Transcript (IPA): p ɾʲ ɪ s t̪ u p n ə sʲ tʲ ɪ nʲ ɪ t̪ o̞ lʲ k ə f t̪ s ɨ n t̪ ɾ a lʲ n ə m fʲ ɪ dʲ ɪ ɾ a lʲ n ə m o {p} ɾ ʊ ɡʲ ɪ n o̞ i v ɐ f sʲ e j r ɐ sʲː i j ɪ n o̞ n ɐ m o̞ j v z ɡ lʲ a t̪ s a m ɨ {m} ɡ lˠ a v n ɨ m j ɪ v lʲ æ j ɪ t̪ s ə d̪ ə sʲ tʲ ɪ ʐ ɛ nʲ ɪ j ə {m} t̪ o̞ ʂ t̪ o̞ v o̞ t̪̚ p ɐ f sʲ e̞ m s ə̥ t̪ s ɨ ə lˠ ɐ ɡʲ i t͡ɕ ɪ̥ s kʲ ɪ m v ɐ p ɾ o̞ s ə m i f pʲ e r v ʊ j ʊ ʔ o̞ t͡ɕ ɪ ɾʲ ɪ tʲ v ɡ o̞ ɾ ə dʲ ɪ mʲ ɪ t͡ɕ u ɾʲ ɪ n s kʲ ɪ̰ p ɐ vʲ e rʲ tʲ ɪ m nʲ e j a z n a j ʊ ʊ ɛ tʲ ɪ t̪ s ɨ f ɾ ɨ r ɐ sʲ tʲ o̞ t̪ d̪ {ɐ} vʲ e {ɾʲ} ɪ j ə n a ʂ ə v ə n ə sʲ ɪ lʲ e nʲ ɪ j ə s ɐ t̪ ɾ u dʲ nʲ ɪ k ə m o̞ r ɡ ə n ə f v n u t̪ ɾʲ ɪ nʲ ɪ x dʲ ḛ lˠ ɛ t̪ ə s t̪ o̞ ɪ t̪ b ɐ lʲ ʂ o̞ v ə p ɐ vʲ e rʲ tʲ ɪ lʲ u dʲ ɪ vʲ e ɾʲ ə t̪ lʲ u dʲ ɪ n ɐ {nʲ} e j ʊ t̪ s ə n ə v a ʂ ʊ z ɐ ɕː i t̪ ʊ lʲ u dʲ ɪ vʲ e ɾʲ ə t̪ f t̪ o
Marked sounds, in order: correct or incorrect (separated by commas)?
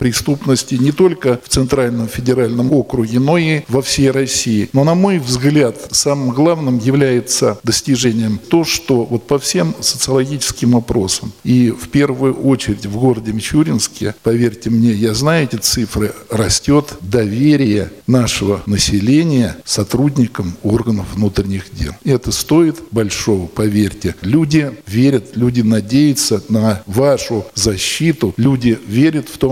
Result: incorrect, correct, correct, correct, correct, incorrect